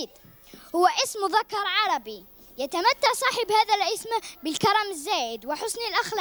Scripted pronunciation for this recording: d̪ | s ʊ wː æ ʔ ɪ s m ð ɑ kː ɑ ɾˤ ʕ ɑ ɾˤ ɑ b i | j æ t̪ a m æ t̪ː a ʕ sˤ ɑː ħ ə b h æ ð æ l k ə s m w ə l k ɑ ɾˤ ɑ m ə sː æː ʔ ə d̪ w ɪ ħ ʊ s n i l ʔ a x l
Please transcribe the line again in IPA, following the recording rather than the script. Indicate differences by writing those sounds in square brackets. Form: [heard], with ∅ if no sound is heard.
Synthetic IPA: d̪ | [h] ʊ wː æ ʔ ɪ s m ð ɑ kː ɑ ɾˤ ʕ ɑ ɾˤ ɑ b i | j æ t̪ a m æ t̪ː a ʕ sˤ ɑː ħ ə b h æ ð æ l [ʔ] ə s m [b] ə l k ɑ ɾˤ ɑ m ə [zː] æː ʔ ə d̪ w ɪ ħ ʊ s n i l ʔ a x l